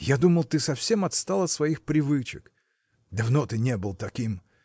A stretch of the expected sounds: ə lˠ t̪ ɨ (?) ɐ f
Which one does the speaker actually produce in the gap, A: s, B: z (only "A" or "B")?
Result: A